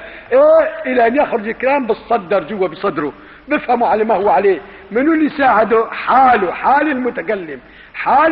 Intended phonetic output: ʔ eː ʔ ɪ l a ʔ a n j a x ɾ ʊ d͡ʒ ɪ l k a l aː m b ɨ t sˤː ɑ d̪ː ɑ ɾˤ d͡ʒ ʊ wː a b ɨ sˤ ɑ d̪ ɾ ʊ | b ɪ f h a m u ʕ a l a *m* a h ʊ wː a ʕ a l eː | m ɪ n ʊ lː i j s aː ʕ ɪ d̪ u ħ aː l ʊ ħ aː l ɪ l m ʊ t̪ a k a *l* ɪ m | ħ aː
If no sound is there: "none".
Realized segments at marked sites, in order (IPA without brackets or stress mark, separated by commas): m, lː